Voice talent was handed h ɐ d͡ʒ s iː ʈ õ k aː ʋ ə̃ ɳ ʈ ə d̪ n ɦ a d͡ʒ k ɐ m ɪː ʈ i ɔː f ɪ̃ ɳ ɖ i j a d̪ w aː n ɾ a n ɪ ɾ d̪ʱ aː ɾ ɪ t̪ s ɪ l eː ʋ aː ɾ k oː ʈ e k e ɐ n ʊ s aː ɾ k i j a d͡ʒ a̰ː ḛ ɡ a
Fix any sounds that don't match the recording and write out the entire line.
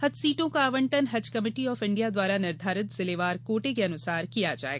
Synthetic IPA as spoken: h ɐ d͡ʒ s iː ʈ õ k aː ʋ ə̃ ɳ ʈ ə n ɦ ɐ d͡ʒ k ɐ m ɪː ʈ i ɔː f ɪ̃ ɳ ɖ i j a d̪ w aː ɾ a n ɪ ɾ d̪ʱ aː ɾ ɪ t̪ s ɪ l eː ʋ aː ɾ k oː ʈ e k e ɐ n ʊ s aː ɾ k i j a d͡ʒ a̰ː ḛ ɡ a

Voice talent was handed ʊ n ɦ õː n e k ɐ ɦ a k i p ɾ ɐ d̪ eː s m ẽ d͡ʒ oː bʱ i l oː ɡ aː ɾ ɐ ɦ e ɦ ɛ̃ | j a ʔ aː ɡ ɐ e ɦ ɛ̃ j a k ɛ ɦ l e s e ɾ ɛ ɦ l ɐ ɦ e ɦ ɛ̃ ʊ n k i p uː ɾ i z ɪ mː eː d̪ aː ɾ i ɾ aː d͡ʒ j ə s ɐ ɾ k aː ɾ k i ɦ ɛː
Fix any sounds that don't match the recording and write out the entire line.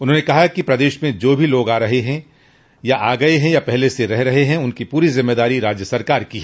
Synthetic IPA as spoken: ʊ n ɦ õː n e k ɐ ɦ a k i p ɾ ɐ d̪ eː ʃ m ẽ d͡ʒ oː bʱ i l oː ɡ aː ɾ ɐ ɦ e ɦ ɛ̃ | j a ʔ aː ɡ ɐ e ɦ ɛ̃ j a p ɛ ɦ l e s e ɾ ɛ ɦ ɾ ɐ ɦ e ɦ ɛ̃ ʊ n k i p uː ɾ i z ɪ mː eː d̪ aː ɾ i ɾ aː d͡ʒ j ə s ɐ ɾ k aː ɾ k i ɦ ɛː

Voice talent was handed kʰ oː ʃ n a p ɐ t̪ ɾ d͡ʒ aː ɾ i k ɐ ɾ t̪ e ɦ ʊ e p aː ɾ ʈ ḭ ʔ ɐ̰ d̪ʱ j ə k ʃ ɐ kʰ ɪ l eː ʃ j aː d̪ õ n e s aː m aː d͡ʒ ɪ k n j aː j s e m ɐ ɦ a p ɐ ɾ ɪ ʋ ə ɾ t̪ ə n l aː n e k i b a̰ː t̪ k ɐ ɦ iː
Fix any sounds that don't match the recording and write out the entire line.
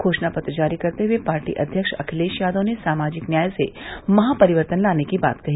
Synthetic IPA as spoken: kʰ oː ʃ n a p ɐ t̪ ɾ d͡ʒ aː ɾ i k ɐ ɾ t̪ e ɦ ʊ e p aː ɾ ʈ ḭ ʔ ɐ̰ d̪ʱ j ə k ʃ ɐ kʰ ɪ l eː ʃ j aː d̪ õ n e s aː m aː d͡ʒ ɪ k n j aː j s e m ɐ ɦ a p ɐ ɾ ɪ ʋ ə ɾ t̪ ə n l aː n e k i b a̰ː t̪ k ɐ ɦ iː

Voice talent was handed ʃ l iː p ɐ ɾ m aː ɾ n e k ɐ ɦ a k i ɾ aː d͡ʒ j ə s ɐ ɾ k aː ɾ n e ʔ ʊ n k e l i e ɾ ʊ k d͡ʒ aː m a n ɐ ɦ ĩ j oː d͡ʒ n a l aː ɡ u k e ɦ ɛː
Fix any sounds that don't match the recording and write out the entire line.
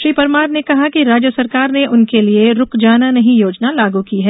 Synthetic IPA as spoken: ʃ ɾ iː p ɐ ɾ m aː ɾ n e k ɐ ɦ a k i ɾ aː d͡ʒ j ə s ɐ ɾ k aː ɾ n e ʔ ʊ n k e l i e ɾ ʊ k d͡ʒ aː n a n ɐ ɦ ĩ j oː d͡ʒ n a l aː ɡ u k i ɦ ɛː

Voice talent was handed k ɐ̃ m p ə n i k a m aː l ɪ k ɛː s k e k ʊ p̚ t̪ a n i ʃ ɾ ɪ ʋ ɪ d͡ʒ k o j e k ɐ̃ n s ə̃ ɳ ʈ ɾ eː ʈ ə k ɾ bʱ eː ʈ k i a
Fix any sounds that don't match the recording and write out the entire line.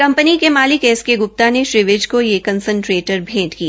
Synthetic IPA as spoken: k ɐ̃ m p ə n i k e m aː l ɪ k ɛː s k e ɡ ʊ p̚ t̪ a n e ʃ ɾ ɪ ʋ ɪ d͡ʒ k o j e k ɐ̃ n s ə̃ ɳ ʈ ɾ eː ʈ ə ɾ bʱ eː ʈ k i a

